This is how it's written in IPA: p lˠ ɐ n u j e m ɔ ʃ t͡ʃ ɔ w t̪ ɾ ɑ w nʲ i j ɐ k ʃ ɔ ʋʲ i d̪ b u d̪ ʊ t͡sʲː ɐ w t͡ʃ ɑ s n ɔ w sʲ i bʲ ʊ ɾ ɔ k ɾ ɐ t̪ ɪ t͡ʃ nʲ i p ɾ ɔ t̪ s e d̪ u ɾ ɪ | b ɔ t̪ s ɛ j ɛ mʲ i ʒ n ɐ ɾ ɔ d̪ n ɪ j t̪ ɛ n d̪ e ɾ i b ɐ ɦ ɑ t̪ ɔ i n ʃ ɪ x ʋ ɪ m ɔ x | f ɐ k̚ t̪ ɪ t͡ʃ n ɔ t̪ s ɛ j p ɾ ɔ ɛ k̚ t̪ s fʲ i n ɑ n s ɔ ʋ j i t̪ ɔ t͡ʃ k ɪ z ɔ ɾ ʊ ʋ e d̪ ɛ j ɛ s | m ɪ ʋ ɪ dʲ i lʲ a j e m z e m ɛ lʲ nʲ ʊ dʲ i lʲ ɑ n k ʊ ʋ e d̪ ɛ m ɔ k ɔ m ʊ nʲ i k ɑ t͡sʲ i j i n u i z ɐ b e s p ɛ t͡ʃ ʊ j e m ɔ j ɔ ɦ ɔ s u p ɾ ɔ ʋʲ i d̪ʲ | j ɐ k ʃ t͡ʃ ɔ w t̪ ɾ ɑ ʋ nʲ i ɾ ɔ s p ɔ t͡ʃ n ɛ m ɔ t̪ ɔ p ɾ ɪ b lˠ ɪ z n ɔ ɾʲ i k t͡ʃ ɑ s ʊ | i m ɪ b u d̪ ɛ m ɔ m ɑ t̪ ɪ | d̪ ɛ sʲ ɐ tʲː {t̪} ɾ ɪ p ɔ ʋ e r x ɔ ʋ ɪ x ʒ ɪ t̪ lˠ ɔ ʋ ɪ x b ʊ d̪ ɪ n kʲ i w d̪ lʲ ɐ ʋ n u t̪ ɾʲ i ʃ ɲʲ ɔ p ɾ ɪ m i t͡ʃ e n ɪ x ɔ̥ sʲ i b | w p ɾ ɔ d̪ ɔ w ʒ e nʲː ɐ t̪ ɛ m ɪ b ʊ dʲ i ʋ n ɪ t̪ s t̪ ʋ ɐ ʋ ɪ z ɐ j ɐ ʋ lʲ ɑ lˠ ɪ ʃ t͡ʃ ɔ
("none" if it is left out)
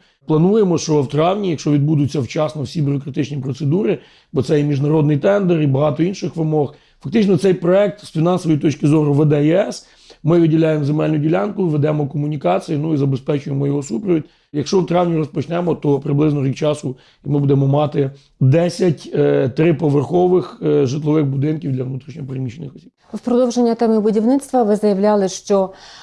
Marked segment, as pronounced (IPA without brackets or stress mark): t̪